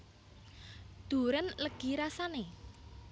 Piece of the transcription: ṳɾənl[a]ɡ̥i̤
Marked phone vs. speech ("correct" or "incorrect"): incorrect